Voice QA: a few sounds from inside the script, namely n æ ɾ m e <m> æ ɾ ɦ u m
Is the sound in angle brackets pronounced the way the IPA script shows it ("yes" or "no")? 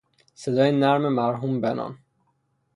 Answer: yes